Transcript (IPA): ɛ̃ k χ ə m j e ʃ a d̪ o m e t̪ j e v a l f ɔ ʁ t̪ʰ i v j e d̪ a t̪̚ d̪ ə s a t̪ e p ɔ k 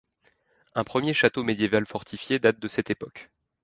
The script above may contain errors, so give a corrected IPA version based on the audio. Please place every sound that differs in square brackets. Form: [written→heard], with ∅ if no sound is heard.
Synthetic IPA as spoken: ɛ̃ [k→p] χ ə m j e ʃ a [d̪→t̪] o m e [t̪→d̪] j e v a l f ɔ ʁ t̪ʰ i [v→f] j e d̪ a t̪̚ d̪ ə s [a→ɛ] t̪ e p ɔ k